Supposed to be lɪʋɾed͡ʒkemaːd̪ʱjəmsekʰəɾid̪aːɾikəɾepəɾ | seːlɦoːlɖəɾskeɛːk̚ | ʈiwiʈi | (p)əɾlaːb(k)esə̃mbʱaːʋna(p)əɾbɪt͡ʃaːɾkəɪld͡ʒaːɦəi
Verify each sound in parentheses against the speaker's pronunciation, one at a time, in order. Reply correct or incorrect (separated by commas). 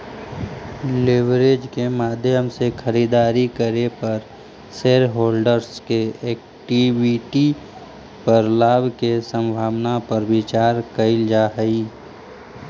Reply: correct, correct, correct